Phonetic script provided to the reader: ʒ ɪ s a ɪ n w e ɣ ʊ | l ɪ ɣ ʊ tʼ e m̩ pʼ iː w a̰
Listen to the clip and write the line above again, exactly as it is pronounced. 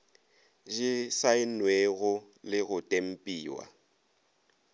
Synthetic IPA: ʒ ɪ s a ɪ n w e ɣ ʊ | l ɪ ɣ ʊ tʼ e m̩ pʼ iː w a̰